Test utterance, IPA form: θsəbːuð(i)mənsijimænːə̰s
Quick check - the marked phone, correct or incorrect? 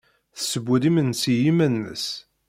correct